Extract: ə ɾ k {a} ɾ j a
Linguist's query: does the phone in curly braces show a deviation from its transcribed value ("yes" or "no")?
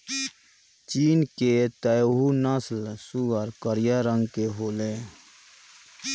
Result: yes